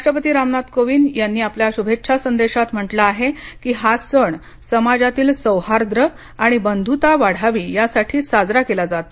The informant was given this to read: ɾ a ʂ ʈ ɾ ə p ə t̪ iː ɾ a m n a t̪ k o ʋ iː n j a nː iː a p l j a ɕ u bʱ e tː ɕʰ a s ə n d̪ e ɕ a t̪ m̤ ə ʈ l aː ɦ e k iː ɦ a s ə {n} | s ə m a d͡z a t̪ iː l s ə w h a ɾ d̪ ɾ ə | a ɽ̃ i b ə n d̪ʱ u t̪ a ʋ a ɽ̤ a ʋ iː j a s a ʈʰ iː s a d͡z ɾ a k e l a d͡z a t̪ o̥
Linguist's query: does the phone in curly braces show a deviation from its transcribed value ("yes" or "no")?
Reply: yes